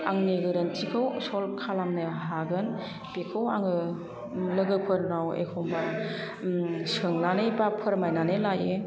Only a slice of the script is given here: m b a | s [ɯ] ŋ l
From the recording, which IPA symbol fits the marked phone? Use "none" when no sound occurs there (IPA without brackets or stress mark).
ɯ